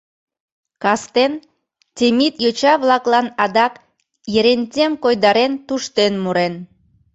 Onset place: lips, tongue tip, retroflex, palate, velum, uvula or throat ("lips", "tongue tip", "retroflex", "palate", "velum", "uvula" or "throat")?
velum